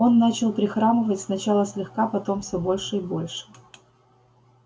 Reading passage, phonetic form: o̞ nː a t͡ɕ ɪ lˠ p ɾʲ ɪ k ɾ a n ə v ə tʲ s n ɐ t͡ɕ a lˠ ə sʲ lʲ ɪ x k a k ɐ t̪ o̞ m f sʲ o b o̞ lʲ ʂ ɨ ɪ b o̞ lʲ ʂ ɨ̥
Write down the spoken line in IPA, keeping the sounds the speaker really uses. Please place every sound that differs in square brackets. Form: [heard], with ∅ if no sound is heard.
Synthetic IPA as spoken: o̞ nː a t͡ɕ ɪ lˠ p ɾʲ ɪ [x] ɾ a [m] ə v ə tʲ s n ɐ t͡ɕ a lˠ ə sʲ lʲ ɪ x k a [p] ɐ t̪ o̞ m f sʲ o b o̞ lʲ ʂ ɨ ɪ b o̞ lʲ ʂ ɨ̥

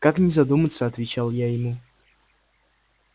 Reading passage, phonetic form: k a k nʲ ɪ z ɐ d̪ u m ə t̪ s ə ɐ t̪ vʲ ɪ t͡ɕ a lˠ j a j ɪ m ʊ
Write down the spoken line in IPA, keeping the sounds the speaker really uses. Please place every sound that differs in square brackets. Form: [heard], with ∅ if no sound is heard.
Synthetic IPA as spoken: k a k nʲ ɪ z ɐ d̪ u m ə t̪ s ə ɐ t̪ vʲ ɪ t͡ɕ a lˠ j a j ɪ m [u]

